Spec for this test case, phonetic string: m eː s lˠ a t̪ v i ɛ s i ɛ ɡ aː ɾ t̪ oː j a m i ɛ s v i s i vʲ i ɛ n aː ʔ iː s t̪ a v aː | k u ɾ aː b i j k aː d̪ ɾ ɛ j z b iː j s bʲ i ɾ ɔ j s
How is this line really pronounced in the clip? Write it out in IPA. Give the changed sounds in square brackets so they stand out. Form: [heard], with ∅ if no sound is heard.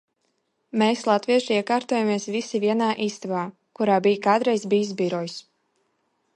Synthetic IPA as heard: m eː s lˠ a t̪ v i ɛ [ʃ] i ɛ [k] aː ɾ t̪ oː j a m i ɛ s v i s i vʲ i ɛ n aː ʔ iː s t̪ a v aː | k u ɾ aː b i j k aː d̪ ɾ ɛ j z b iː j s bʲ i ɾ ɔ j s